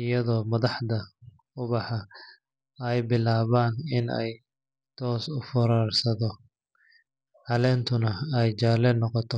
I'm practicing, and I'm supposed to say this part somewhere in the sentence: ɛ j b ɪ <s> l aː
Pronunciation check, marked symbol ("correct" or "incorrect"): incorrect